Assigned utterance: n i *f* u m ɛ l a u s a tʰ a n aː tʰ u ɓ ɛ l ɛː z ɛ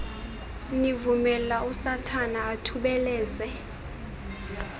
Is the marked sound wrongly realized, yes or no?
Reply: yes